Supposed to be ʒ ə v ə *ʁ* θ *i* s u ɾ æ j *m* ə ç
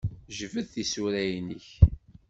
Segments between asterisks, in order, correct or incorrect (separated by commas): incorrect, correct, incorrect